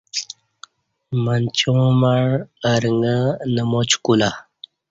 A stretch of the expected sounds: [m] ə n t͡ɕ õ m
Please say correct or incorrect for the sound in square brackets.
correct